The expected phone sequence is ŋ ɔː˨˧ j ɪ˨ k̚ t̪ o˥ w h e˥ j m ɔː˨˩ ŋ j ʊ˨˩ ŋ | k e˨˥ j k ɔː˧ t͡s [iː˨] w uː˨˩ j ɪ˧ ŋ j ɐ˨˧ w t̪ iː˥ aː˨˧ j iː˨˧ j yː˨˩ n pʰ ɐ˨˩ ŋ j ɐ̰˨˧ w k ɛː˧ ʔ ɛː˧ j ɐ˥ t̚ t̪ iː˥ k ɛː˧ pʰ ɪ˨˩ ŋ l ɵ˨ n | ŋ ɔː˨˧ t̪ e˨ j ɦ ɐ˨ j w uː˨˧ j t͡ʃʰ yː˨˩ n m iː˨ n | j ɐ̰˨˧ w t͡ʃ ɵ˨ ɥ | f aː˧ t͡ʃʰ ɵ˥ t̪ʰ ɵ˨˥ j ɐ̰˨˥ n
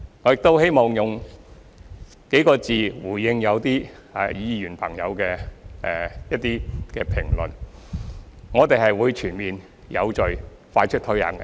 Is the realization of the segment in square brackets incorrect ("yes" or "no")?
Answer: no